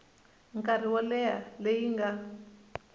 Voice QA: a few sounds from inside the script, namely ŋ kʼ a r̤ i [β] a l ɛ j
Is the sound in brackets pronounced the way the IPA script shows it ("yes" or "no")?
no